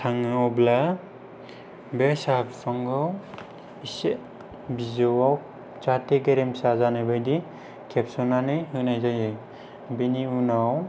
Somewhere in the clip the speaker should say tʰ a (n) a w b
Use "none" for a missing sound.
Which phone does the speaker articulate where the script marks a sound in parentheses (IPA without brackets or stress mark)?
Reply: ŋ